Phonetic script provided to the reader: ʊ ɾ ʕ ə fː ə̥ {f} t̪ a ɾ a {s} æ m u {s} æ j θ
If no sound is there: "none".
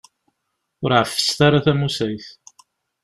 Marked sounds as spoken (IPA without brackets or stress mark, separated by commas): s, θ, s